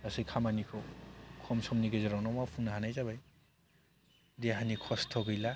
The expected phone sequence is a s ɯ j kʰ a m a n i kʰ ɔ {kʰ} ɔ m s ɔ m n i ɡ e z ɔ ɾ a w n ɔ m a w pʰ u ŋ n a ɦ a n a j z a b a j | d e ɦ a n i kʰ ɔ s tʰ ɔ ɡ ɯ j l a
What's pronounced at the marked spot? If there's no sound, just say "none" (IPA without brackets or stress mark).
kʰ